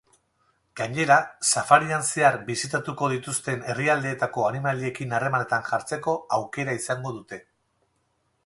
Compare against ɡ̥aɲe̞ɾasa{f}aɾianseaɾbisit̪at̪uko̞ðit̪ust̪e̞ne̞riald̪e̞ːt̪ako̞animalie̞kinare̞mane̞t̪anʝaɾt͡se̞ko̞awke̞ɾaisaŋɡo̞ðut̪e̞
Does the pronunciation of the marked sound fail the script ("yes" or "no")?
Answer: no